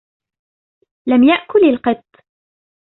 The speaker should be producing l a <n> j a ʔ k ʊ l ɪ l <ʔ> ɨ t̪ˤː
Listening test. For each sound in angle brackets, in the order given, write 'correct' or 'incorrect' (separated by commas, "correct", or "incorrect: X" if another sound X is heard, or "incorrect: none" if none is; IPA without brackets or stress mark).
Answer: incorrect: m, incorrect: q